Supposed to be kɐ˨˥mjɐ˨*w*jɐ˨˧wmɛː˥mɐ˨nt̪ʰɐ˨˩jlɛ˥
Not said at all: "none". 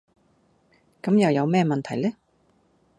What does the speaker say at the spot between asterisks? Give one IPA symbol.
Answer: w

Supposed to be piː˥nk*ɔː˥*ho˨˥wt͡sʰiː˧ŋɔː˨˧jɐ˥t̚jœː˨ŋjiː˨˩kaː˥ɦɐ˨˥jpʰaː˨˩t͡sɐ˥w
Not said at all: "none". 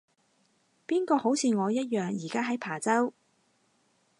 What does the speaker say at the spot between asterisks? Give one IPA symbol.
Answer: ɔː˧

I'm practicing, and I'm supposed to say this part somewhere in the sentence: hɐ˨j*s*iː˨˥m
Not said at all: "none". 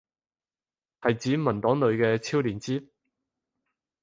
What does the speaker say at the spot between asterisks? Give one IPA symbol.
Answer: t͡s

